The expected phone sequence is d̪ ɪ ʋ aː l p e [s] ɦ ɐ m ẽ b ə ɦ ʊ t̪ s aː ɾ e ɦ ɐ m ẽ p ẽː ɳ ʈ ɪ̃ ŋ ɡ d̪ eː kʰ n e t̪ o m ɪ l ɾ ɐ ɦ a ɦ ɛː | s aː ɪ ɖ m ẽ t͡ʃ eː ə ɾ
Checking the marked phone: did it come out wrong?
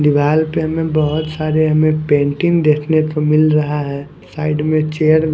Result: yes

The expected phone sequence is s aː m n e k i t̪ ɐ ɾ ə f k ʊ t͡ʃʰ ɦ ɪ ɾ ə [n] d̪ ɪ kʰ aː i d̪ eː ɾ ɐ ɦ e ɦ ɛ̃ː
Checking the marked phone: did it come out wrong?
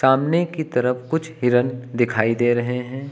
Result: no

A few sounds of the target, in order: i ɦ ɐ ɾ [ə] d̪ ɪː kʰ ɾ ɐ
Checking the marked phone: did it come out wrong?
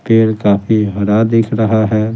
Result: yes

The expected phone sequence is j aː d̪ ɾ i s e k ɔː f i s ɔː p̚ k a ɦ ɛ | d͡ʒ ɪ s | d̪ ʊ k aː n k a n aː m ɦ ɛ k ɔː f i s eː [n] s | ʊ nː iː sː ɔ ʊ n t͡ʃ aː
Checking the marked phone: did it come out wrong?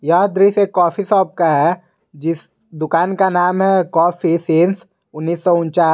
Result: no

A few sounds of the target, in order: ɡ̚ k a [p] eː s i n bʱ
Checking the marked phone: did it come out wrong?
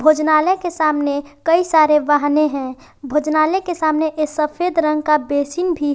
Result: yes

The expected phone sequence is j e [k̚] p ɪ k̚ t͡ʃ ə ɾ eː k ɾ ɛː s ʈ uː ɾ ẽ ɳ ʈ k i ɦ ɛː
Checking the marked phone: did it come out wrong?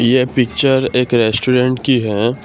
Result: yes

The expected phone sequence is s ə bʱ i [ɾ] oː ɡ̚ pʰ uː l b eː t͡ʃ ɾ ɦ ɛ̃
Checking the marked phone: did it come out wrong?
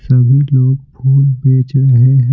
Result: yes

